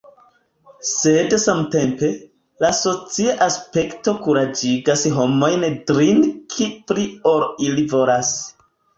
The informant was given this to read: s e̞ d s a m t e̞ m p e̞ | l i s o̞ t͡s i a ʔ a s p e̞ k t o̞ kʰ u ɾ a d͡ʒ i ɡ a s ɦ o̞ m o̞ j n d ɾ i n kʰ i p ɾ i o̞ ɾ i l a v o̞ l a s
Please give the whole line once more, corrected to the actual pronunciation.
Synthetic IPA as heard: s e̞ d s a m t e̞ m p e̞ | l a s o̞ t͡s i a ʔ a s p e̞ k t o̞ k u ɾ a d͡ʒ i ɡ a s ɦ o̞ m o̞ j n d ɾ i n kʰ i p ɾ i o̞ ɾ i l i v o̞ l a s